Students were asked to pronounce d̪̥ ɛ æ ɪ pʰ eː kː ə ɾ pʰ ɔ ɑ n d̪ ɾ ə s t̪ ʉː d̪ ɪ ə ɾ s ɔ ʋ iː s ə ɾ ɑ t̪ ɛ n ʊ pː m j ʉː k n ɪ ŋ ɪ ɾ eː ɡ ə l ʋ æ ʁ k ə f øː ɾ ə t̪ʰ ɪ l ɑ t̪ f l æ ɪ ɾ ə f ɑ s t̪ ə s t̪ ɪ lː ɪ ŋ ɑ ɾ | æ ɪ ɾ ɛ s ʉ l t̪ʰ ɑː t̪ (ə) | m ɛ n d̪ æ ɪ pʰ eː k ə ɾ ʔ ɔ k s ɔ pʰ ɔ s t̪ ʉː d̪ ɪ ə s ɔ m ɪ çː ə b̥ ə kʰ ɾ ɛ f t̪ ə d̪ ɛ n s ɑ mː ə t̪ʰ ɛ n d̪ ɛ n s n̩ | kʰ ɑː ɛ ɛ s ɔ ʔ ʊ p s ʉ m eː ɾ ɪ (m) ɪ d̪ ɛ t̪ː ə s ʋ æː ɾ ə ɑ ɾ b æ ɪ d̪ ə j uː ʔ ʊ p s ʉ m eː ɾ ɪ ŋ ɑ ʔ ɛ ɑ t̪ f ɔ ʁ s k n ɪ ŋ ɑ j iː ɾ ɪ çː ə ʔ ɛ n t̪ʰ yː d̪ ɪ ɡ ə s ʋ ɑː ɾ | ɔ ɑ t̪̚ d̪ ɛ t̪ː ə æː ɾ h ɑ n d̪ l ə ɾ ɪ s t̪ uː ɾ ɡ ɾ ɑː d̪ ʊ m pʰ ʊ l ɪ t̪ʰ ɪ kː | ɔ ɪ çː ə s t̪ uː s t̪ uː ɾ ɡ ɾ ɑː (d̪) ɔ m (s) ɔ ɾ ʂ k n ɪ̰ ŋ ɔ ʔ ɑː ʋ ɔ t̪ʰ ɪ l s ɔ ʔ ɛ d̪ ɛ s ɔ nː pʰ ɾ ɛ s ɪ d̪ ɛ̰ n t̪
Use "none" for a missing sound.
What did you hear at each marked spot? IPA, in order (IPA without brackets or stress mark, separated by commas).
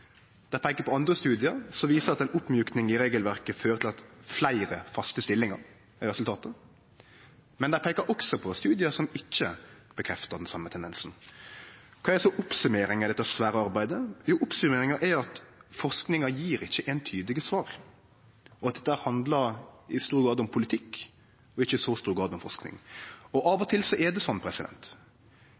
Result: ə, ŋ, d̪, f